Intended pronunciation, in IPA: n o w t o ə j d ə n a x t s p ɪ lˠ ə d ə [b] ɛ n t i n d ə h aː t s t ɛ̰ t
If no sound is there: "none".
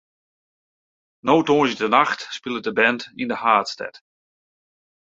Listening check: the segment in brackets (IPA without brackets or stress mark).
b